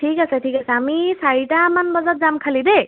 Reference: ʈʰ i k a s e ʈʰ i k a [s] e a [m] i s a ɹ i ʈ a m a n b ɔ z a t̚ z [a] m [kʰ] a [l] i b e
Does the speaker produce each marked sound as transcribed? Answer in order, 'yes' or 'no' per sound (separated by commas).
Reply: yes, yes, yes, yes, yes